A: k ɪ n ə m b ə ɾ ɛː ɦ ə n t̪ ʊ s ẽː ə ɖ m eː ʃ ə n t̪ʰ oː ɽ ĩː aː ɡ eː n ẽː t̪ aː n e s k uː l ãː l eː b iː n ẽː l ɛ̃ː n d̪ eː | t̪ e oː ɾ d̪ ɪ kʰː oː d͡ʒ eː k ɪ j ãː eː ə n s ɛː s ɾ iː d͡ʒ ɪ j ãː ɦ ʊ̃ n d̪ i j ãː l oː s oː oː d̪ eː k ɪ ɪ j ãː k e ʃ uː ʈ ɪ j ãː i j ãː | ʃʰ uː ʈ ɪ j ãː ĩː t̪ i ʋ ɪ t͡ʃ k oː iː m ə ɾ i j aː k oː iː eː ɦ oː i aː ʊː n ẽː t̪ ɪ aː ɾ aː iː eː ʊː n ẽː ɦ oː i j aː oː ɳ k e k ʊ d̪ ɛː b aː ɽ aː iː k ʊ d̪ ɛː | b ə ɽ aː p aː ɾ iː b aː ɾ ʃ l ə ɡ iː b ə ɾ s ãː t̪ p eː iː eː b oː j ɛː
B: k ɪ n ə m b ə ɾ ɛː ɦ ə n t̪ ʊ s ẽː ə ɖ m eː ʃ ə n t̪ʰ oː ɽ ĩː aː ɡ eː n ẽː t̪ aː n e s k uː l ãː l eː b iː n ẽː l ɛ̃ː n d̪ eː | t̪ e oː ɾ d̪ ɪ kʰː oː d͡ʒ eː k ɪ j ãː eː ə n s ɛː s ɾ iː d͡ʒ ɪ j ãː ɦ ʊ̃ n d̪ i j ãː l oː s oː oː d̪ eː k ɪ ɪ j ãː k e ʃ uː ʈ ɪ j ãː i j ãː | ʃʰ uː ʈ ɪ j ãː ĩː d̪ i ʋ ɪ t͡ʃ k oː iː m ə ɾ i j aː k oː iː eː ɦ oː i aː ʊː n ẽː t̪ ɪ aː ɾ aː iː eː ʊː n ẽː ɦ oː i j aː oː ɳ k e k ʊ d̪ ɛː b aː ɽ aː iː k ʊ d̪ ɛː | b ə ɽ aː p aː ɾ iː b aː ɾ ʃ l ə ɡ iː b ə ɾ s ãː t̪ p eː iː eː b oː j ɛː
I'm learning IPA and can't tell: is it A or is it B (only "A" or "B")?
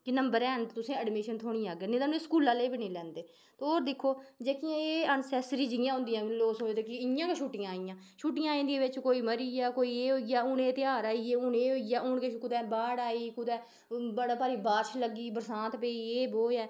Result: B